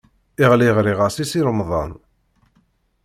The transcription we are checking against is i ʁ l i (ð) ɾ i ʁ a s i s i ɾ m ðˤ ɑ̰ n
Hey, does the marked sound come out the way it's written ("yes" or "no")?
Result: no